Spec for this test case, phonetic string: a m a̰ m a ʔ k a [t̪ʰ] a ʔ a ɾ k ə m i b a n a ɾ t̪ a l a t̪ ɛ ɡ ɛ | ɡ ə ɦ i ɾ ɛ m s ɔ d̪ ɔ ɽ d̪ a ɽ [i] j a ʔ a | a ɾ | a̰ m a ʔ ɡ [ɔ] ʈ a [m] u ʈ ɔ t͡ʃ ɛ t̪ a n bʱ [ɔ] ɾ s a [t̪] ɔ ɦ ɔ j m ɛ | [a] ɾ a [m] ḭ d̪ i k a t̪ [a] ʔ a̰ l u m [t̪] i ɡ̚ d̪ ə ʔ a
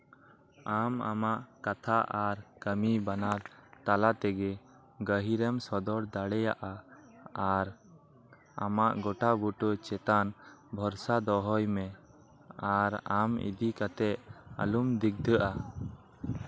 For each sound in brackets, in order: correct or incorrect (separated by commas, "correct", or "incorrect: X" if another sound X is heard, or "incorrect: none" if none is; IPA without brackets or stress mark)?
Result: correct, incorrect: ɛ, correct, incorrect: b, correct, incorrect: d̪, correct, correct, incorrect: ɛ, incorrect: d̪